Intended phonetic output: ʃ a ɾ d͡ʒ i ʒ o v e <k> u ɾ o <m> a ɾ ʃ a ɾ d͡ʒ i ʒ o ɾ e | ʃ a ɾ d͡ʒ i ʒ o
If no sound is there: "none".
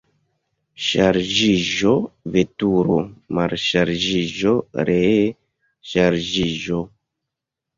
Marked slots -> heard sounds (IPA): t, m

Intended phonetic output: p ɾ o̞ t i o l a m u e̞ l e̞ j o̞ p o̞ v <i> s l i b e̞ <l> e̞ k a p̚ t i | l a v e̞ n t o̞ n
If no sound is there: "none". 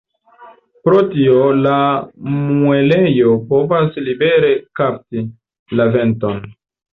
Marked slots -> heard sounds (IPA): a, ɾ

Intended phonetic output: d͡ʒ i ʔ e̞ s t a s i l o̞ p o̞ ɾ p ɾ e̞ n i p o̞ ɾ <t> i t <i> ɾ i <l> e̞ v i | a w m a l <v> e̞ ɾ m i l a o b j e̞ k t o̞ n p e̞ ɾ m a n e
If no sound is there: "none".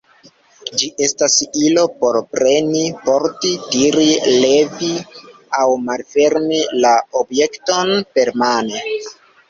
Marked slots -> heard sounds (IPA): t, i, l, f

